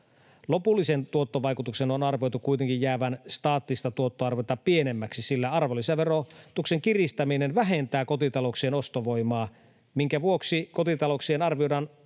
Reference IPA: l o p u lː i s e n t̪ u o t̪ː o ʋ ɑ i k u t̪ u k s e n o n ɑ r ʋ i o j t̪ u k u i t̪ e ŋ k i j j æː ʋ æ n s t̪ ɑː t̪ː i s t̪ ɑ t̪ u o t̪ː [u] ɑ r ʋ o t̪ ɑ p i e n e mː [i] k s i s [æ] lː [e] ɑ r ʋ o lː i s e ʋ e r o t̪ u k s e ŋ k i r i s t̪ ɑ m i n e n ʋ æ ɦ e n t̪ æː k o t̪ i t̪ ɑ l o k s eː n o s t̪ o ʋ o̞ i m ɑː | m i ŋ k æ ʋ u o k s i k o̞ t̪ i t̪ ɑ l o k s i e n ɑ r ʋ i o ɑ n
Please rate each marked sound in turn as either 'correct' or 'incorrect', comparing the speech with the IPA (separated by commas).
incorrect, incorrect, incorrect, incorrect